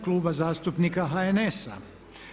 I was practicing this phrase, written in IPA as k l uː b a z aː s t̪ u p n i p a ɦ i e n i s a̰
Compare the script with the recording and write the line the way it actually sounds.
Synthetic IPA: k l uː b a z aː s t̪ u p n i k a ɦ a e n e s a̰